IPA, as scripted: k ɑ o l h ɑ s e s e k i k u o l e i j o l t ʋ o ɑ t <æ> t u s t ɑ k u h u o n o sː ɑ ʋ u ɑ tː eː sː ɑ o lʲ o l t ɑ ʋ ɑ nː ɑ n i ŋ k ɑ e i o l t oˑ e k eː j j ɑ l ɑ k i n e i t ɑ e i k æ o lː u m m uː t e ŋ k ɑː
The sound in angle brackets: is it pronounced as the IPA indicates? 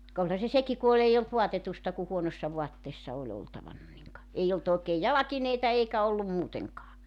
no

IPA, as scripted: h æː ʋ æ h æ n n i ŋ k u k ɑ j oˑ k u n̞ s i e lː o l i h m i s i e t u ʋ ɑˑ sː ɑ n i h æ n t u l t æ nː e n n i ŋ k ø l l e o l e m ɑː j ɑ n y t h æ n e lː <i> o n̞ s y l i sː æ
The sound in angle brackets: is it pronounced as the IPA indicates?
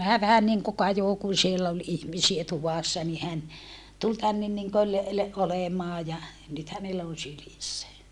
no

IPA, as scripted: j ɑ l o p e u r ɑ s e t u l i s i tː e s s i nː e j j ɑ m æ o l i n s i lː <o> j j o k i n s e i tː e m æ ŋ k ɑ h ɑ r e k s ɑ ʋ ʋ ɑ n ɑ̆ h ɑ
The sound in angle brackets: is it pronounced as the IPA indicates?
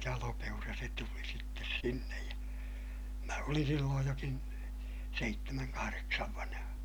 no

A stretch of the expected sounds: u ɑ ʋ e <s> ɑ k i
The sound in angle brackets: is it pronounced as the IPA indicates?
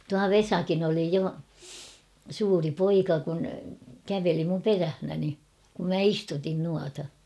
yes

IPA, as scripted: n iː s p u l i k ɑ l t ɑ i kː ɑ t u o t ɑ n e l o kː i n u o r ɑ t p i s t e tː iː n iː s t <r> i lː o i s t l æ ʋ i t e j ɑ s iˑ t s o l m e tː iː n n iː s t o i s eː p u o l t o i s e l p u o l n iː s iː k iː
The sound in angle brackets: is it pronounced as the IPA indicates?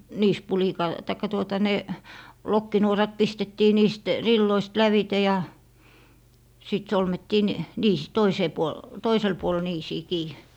yes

